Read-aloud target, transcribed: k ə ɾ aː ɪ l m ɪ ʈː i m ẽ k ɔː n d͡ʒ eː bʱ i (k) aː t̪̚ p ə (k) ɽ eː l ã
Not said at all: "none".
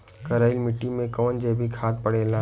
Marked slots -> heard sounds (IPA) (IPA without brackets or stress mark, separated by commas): kʰ, none